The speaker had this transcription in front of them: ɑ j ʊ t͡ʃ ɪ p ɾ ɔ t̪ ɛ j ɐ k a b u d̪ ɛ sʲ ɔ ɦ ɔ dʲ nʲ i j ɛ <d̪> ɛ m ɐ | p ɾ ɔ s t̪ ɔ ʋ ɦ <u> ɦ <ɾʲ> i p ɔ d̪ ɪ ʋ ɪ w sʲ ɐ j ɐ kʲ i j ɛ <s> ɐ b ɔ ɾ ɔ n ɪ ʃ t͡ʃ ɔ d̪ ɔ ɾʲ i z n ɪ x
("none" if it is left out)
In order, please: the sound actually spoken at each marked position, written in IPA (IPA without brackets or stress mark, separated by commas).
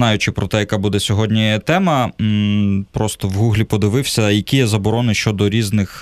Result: t̪, u, lʲ, z